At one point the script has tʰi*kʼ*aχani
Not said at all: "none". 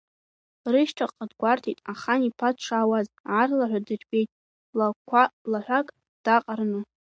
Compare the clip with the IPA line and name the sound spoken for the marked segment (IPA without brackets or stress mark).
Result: tʼ